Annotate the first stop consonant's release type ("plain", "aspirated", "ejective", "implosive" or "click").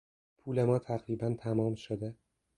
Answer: aspirated